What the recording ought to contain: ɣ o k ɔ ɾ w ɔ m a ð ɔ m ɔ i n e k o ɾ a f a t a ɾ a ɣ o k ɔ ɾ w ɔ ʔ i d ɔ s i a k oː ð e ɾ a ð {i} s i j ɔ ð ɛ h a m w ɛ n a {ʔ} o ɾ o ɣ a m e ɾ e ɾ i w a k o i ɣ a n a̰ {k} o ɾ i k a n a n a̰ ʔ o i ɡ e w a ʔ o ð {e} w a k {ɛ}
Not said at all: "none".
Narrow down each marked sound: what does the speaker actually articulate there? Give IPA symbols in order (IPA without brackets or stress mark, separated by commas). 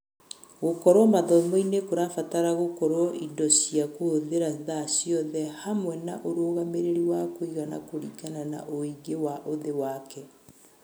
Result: a, ʔ, k, e, ɛ